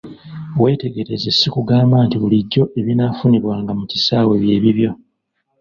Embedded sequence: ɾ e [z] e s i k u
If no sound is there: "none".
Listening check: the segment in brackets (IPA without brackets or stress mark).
z